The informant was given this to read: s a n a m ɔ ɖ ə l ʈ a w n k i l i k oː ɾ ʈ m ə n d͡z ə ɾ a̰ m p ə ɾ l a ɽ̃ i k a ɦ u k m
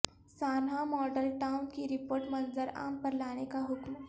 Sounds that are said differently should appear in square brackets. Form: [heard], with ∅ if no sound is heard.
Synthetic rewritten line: s a n a m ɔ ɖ ə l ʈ a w n k i [ɾ] i [p] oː ɾ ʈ m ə n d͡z ə ɾ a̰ m p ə ɾ l a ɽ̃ [e] k a ɦ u k m

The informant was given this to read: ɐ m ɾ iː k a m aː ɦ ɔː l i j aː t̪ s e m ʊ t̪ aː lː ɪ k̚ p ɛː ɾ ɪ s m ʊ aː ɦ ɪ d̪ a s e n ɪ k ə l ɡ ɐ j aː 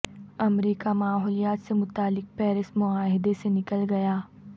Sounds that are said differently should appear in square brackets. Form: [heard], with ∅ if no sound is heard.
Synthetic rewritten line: ɐ m ɾ iː k a m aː ɦ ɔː l i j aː t̪ s e m ʊ t̪ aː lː ɪ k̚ p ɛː ɾ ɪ s m ʊ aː ɦ ɪ d̪ [e] s e n ɪ k ə l ɡ ɐ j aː

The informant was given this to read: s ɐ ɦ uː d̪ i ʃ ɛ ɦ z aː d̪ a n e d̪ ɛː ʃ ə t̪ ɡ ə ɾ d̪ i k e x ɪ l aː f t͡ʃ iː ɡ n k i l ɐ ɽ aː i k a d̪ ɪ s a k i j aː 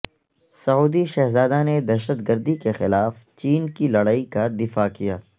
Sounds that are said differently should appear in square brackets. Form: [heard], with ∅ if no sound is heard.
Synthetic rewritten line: s ɐ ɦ uː d̪ i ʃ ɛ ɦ z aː d̪ a n e d̪ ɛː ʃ ə t̪ ɡ ə ɾ d̪ i k e x ɪ l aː f t͡ʃ iː [∅] n k i l ɐ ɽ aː i k a d̪ ɪ [f] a k i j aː

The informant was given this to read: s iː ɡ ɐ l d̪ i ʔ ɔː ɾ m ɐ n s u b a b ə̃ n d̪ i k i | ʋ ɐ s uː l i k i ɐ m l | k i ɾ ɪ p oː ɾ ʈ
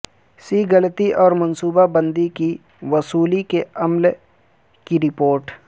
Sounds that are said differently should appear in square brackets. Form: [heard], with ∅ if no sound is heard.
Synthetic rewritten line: s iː ɡ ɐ l [t̪] i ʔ ɔː ɾ m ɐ n s [uː] b a b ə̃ n d̪ i k i | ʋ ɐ s uː l i k [e] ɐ m l | k i ɾ ɪ p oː ɾ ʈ

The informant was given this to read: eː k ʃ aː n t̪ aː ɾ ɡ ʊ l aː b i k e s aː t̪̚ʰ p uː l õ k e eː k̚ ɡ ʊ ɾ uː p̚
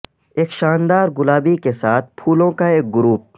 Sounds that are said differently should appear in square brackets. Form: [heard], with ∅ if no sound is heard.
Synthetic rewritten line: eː k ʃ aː n [d̪] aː ɾ ɡ ʊ l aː b i k e s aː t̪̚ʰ [pʰ] uː l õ k [a] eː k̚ ɡ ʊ ɾ uː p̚

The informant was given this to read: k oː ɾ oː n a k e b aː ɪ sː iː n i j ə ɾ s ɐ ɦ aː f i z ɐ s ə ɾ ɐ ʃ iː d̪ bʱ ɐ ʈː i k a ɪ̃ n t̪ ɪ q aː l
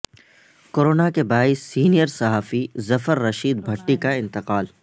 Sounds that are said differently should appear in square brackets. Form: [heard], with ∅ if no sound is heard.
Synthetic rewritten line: k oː ɾ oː n a k e b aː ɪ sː iː n i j ə ɾ s ɐ ɦ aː f i z ɐ [f] ə [ɾː] ɐ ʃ iː d̪ bʱ ɐ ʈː i k a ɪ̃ n t̪ ɪ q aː l

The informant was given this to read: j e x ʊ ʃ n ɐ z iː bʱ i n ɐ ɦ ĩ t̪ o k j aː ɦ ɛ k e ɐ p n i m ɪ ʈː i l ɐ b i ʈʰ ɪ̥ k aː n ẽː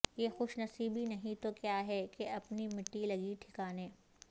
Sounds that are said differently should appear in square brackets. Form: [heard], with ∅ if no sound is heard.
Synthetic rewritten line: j e x ʊ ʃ n ɐ [s] iː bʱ i n ɐ ɦ ĩ t̪ o k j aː ɦ ɛ k e ɐ p n i m ɪ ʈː i l ɐ [ɡ] i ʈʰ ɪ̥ k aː n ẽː

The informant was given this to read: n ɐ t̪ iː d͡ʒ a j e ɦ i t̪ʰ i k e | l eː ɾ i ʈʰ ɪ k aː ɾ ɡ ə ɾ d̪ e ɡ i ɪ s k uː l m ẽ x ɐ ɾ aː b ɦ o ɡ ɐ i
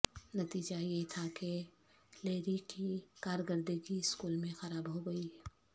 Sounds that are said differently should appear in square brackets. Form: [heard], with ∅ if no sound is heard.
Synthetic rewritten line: n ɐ t̪ iː d͡ʒ a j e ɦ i t̪ʰ [a] k e | l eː ɾ i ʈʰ [i] k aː ɾ ɡ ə ɾ d̪ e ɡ i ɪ s k uː l m ẽ x ɐ ɾ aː b ɦ o ɡ ɐ i

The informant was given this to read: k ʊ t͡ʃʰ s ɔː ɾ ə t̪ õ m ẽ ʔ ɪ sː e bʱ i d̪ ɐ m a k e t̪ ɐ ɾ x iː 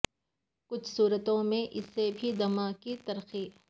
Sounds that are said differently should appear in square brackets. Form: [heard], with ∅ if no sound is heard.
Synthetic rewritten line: k ʊ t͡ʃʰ s [uː] ɾ ə t̪ õ m ẽ ʔ ɪ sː e bʱ i d̪ ɐ m a k [i] t̪ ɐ ɾ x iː

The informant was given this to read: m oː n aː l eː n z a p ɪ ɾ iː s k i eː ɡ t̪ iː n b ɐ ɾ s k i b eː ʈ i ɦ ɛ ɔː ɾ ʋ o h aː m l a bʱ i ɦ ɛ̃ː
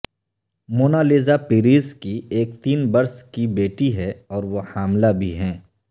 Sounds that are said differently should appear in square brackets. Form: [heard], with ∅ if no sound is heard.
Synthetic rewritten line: m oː n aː l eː [∅] z a p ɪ ɾ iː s k i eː [k] t̪ iː n b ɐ ɾ s k i b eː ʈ i ɦ ɛ ɔː ɾ ʋ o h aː m l a bʱ i ɦ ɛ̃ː

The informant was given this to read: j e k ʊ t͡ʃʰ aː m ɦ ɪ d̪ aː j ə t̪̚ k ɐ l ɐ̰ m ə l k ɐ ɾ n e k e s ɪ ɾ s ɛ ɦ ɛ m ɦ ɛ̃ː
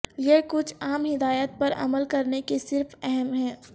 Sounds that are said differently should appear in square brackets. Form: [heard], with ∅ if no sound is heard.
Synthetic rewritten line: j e k ʊ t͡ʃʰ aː m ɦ ɪ d̪ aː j ə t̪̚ [p] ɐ [ɾ] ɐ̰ m ə l k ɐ ɾ n e k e s ɪ ɾ [f] ɛ ɦ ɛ m ɦ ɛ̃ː

